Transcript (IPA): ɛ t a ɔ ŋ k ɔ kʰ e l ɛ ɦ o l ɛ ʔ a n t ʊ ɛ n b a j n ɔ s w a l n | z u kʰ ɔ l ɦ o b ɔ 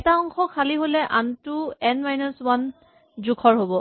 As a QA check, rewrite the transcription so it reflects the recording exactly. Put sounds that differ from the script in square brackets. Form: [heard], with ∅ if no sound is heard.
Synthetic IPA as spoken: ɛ t a ɔ ŋ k ɔ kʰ [a] l [i] ɦ o l ɛ ʔ a n t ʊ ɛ n [m] a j n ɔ s w a [∅] n | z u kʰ ɔ [ɹ] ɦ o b ɔ